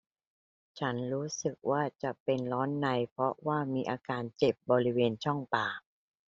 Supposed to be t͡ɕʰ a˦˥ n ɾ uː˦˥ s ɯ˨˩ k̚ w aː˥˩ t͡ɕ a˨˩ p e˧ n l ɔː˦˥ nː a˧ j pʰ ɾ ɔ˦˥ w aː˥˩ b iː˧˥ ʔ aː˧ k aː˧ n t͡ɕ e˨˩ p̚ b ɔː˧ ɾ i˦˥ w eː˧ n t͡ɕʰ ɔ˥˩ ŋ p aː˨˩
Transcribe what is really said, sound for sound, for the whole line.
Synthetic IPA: t͡ɕʰ a˦˥ n ɾ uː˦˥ s ɯ˨˩ k̚ w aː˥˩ t͡ɕ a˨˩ p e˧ n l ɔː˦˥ nː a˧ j pʰ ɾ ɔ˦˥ w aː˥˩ m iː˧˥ ʔ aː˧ k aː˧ n t͡ɕ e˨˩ p̚ b ɔː˧ ɾ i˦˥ w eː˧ n t͡ɕʰ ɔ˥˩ ŋ p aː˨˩

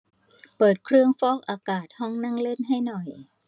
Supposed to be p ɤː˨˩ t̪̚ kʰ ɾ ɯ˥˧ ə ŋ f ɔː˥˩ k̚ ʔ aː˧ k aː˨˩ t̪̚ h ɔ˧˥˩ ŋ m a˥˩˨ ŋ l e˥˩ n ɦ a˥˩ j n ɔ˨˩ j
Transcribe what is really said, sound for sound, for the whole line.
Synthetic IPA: p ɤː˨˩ t̪̚ kʰ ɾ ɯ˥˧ ə ŋ f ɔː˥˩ k̚ ʔ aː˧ k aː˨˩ t̪̚ h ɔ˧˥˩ ŋ n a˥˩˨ ŋ l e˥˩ n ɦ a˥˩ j n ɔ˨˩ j

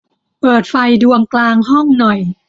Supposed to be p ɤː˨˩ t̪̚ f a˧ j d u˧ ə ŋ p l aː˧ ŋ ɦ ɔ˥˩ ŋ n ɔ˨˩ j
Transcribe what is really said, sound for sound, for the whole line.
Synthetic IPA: p ɤː˨˩ t̪̚ f a˧ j d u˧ ə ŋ k l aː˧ ŋ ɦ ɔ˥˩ ŋ n ɔ˨˩ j

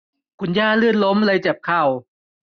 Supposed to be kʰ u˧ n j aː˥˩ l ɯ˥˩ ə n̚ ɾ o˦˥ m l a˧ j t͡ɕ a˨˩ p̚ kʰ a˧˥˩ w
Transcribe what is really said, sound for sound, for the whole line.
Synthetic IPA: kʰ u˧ n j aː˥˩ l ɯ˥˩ ə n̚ l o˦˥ m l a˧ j t͡ɕ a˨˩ p̚ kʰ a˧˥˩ w

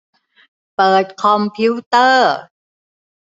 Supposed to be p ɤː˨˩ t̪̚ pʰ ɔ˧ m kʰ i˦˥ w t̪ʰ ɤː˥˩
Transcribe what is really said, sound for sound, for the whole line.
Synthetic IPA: p ɤː˨˩ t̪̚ kʰ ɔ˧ m pʰ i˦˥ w t̪ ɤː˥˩

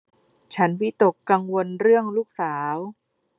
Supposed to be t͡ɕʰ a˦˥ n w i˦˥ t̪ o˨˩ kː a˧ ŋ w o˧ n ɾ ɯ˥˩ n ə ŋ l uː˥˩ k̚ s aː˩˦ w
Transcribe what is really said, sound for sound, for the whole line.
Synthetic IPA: t͡ɕʰ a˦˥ n w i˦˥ t̪ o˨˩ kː a˧ ŋ w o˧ n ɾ ɯ˥˩ ə ŋ l uː˥˩ k̚ s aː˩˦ w

